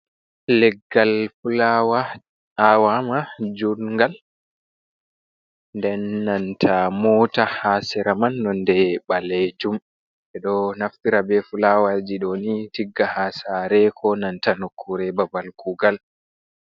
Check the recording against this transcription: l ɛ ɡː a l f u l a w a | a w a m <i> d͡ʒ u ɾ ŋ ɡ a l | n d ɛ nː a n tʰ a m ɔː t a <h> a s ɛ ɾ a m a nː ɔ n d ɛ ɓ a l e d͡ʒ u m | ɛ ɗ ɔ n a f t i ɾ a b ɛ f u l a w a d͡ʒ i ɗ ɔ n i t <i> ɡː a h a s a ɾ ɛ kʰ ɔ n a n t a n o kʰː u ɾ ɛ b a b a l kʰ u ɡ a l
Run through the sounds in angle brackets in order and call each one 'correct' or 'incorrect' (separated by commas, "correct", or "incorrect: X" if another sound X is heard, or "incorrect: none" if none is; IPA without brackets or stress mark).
incorrect: a, correct, correct